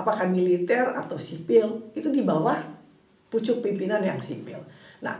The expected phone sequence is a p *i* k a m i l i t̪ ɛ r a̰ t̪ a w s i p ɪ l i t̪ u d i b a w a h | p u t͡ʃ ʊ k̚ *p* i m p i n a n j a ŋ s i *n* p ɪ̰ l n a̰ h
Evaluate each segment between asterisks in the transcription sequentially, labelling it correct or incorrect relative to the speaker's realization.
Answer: incorrect, correct, incorrect

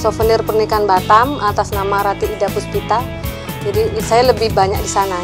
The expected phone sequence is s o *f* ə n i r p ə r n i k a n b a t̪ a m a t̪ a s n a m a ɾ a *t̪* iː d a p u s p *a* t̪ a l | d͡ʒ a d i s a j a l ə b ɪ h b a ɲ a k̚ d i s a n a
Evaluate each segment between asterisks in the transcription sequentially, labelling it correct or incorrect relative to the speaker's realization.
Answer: correct, correct, incorrect

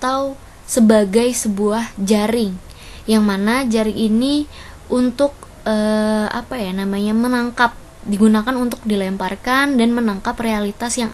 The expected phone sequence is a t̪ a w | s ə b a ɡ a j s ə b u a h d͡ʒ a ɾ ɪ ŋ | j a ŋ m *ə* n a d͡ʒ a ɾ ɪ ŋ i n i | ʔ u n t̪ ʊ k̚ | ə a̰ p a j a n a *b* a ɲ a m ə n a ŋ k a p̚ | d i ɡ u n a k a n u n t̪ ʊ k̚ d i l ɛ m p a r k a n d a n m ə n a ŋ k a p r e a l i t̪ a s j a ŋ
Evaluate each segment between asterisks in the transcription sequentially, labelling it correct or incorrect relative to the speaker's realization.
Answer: incorrect, incorrect

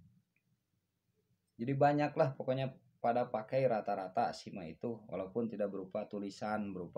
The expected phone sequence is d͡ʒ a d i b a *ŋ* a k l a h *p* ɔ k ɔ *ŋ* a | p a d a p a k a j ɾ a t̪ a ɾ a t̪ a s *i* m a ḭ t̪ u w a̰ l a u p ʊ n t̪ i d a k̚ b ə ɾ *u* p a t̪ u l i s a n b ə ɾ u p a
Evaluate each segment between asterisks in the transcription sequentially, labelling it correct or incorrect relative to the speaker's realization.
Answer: incorrect, correct, incorrect, correct, correct

